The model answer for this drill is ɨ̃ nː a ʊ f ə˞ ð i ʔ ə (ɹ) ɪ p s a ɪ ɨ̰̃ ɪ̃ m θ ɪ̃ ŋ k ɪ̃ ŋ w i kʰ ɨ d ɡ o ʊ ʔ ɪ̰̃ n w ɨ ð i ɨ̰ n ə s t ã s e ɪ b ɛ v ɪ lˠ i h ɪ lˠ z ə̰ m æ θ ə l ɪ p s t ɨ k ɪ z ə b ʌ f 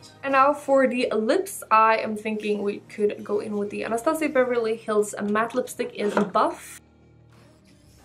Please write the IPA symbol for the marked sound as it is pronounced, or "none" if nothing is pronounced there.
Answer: l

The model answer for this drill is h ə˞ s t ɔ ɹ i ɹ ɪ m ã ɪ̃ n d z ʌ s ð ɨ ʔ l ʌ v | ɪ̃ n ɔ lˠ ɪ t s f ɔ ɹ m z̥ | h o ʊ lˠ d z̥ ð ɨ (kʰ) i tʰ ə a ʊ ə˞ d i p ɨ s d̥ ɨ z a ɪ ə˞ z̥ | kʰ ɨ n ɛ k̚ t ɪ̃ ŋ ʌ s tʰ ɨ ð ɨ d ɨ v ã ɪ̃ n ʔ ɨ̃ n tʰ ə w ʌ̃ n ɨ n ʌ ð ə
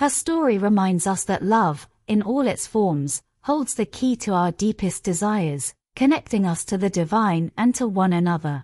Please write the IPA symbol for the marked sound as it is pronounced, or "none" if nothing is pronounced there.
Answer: kʰ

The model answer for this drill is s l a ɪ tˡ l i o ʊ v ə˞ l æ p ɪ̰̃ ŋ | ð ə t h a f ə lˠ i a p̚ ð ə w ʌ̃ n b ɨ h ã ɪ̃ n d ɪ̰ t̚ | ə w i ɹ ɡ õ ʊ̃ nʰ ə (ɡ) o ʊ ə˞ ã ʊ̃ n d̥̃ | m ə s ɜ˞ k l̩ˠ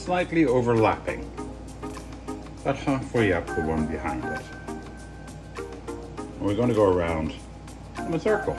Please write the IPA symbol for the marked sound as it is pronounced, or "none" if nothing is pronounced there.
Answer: ɡ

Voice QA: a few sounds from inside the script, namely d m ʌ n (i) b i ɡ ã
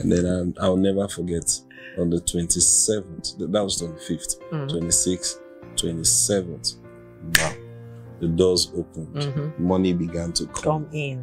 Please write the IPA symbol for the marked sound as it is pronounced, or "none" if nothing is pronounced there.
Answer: i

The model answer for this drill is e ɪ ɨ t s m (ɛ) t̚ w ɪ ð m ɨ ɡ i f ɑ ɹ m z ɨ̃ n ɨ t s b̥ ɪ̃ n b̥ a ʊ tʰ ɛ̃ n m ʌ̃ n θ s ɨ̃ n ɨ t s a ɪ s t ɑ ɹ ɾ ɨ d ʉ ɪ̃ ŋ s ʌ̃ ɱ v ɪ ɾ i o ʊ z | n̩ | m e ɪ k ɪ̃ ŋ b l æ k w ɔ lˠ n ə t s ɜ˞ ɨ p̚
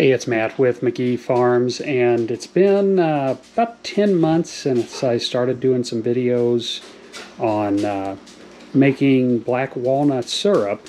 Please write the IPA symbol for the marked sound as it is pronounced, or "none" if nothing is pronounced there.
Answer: æ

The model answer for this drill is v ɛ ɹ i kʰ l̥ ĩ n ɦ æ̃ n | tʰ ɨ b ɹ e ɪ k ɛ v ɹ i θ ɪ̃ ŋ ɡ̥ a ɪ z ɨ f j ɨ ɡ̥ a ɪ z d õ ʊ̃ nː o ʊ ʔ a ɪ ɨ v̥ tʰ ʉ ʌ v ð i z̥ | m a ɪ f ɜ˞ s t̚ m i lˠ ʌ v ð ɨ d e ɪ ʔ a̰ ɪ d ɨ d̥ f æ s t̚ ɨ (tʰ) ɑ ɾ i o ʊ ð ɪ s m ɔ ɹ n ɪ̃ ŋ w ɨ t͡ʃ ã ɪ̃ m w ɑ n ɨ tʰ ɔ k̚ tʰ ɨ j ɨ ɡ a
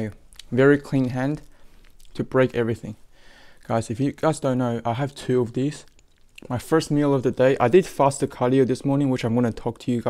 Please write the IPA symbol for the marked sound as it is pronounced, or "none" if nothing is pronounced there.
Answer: kʰ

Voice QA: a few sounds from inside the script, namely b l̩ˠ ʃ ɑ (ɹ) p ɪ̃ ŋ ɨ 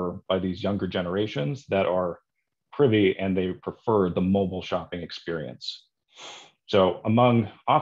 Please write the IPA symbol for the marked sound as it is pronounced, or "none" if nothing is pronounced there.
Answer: none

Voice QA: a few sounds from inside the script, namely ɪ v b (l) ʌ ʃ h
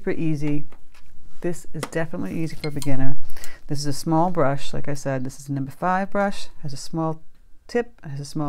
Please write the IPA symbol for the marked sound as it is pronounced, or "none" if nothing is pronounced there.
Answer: ɹ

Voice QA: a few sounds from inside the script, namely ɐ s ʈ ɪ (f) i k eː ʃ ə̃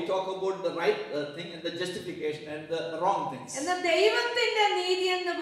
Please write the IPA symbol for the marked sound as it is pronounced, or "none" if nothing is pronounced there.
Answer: f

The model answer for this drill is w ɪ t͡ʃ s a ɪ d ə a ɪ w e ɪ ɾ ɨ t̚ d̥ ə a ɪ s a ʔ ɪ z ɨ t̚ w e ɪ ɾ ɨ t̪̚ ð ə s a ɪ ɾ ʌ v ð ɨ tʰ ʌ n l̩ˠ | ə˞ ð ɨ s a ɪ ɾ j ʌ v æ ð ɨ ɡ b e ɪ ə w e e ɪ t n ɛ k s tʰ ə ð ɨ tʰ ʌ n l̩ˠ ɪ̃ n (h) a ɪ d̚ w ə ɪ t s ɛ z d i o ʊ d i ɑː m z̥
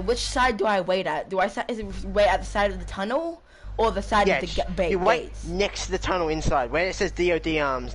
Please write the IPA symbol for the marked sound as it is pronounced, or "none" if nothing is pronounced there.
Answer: s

